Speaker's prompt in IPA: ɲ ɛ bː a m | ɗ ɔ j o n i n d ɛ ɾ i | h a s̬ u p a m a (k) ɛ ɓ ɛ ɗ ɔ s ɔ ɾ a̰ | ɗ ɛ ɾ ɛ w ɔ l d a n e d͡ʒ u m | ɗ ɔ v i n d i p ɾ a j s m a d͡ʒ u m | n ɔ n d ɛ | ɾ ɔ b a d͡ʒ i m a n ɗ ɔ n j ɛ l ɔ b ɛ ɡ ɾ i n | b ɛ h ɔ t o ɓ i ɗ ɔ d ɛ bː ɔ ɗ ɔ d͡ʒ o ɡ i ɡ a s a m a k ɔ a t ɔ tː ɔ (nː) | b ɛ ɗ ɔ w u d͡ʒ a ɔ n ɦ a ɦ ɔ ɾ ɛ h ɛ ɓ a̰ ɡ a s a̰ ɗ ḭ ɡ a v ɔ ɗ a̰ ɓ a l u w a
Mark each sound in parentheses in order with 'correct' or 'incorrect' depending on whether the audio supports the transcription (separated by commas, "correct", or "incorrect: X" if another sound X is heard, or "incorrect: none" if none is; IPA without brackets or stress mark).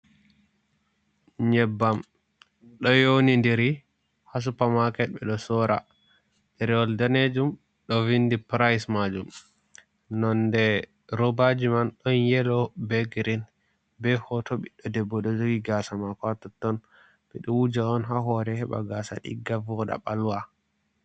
correct, incorrect: n